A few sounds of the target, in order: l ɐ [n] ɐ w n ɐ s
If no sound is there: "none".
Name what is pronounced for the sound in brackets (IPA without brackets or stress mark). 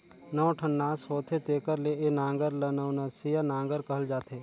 n